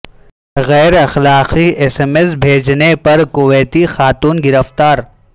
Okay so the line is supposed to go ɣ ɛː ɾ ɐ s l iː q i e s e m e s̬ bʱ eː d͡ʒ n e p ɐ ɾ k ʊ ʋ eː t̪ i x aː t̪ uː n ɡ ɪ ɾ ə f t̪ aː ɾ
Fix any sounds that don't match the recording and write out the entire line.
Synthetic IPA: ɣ ɛː ɾ ɐ x l aː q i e s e m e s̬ bʱ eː d͡ʒ n e p ɐ ɾ k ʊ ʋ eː t̪ i x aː t̪ uː n ɡ ɪ ɾ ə f t̪ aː ɾ